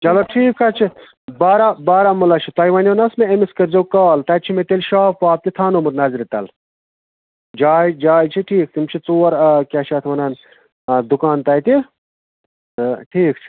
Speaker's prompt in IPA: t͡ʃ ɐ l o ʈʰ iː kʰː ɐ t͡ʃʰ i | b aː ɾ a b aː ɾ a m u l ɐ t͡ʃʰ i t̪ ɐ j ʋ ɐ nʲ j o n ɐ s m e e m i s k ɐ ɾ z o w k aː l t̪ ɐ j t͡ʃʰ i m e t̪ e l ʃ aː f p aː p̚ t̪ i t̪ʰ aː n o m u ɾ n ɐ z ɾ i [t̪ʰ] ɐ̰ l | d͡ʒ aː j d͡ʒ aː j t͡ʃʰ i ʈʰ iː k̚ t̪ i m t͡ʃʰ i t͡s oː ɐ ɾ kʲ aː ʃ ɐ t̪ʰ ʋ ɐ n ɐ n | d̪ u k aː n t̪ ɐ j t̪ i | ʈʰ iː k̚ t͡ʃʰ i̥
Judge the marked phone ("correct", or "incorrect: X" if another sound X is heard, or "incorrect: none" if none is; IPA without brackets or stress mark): incorrect: t̪